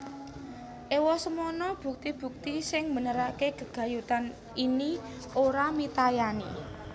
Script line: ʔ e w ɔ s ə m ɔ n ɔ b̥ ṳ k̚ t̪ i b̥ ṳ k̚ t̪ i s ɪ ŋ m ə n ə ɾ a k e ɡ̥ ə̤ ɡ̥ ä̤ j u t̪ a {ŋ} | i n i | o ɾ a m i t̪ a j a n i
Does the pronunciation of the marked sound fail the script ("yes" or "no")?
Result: yes